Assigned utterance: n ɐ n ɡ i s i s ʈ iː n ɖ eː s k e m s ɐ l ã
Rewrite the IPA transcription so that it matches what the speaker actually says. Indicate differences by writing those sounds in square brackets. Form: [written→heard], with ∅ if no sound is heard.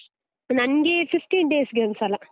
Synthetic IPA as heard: n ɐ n ɡ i [s→f] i [s→f] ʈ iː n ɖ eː s [k→ɡ] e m s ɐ l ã